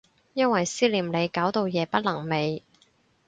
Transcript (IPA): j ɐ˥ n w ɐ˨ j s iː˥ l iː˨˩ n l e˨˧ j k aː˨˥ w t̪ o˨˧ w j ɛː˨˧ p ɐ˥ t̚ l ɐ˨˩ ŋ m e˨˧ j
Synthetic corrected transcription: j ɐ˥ n w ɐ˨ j s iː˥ l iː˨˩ m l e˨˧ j k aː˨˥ w t̪ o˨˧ w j ɛː˨˧ p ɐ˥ t̚ l ɐ˨˩ ŋ m e˨˧ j

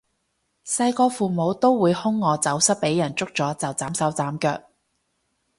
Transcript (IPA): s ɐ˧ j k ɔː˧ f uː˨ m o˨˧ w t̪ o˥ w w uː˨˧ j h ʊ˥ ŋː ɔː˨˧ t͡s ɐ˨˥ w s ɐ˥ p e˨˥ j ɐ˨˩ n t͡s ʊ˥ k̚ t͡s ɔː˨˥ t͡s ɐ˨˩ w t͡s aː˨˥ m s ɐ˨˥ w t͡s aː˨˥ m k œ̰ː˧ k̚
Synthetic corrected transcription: s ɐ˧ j k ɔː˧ f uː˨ m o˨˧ w t̪ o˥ w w uː˨˧ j h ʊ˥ ŋː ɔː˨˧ t͡s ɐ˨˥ w s ɐ˥ p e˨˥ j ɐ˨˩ n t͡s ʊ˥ k̚ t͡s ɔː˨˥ t͡s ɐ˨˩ w t͡s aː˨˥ m s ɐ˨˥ w t͡s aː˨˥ m k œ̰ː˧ k̚

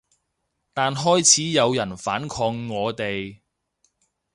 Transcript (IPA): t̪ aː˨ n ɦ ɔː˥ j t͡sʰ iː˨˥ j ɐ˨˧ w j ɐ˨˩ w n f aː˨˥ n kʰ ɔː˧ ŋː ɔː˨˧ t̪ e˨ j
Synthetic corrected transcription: t̪ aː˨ n ɦ ɔː˥ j t͡sʰ iː˨˥ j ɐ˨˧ w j ɐ˨˩ n f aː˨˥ n kʰ ɔː˧ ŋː ɔː˨˧ t̪ e˨ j

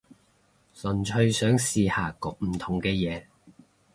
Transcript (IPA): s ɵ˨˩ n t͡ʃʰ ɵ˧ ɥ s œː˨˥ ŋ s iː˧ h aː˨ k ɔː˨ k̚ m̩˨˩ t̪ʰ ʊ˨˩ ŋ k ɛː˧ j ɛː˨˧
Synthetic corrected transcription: s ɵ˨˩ n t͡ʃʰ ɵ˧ ɥ s œː˨˥ ŋ s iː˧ h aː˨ k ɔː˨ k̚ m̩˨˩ t̪ʰ ʊ˨˩ ŋ k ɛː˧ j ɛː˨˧

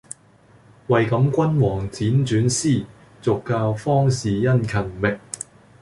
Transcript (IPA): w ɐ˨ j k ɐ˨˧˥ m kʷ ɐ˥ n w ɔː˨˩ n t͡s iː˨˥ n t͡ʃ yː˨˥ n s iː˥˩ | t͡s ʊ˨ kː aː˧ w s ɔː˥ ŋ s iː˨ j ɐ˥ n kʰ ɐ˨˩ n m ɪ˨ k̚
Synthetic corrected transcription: w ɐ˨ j k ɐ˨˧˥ m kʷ ɐ˥ n w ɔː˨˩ ŋ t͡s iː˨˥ n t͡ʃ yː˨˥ n s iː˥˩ | t͡s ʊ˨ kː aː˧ w f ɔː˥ ŋ s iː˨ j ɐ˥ n kʰ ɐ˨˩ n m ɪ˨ k̚

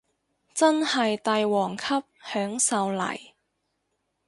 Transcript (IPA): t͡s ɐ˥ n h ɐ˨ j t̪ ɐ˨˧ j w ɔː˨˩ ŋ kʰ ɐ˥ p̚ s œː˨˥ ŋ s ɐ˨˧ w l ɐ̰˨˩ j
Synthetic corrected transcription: t͡s ɐ˥ n h ɐ˨ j t̪ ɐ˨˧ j w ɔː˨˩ ŋ kʰ ɐ˥ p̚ h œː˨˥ ŋ s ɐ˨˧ w l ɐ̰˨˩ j

